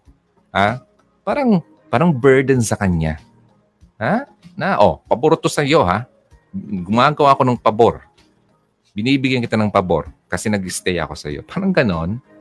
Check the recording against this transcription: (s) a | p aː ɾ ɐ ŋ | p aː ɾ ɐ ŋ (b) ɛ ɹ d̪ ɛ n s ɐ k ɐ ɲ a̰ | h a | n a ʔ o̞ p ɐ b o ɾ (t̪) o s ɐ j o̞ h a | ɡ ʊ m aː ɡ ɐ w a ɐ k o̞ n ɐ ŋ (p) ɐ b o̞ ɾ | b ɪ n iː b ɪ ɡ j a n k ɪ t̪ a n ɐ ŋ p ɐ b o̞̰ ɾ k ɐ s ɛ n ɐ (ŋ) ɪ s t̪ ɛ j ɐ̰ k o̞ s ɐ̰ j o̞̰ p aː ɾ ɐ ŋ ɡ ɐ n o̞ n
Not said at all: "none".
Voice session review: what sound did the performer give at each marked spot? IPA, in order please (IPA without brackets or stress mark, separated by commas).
h, b, t̪, p, ɡ